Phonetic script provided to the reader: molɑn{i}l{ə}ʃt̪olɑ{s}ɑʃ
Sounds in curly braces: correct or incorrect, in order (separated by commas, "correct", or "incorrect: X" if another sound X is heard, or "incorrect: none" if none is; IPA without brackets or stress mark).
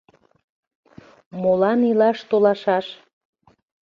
correct, incorrect: ɑ, incorrect: ʃ